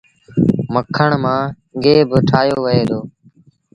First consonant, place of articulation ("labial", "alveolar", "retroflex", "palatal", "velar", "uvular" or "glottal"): labial